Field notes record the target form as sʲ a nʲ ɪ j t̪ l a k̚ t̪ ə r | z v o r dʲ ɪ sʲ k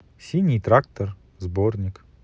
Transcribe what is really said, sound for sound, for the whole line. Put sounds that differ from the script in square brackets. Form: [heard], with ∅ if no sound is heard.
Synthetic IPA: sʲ [i] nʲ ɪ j t̪ [ɾ] a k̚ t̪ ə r | z [b] o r [nʲ] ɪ [∅] k